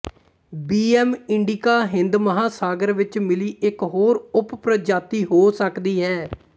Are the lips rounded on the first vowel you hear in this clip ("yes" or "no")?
no